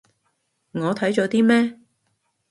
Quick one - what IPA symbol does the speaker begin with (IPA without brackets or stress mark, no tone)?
ŋ